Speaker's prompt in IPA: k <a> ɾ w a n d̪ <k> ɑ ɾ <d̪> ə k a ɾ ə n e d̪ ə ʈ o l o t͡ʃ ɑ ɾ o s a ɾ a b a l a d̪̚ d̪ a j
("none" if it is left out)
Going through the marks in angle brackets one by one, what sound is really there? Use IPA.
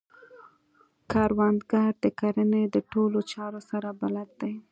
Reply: ɑ, ɡ, d̪

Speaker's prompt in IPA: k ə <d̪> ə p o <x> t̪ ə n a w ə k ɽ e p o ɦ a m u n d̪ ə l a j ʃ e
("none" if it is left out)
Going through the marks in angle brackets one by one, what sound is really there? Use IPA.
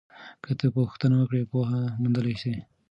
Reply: t̪, x

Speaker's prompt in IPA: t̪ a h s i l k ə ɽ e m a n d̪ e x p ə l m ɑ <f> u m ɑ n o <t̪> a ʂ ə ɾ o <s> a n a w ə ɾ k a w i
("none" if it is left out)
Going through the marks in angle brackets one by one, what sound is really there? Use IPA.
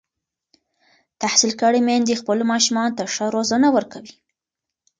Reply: ʃ, t̪, z

